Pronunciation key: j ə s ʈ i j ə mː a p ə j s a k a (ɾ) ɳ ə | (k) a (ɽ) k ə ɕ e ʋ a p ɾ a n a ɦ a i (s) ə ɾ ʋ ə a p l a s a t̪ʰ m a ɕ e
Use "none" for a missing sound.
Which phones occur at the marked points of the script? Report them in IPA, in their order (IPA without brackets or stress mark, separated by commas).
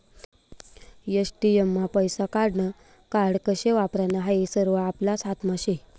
ɽ, k, ɽ, s